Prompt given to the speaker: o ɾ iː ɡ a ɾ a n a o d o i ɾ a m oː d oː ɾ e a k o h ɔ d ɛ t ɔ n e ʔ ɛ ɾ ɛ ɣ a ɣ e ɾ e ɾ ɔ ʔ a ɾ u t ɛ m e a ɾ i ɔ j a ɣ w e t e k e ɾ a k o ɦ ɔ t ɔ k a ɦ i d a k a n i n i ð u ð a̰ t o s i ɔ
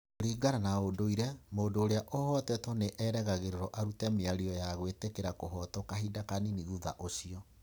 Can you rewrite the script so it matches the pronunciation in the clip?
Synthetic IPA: o ɾ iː ɡ a ɾ a n a o d o i ɾ ɛ m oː d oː ɾ e a ʔ o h ɔ t ɛ t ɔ n e ʔ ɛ ɾ ɛ ɣ a ɣ e ɾ e ɾ ɔ ʔ a ɾ u t ɛ m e a ɾ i ɔ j a ɣ w e t e k e ɾ a k o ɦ ɔ t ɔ k a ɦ i d a k a n i n i ɣ u ð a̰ ʔ o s i ɔ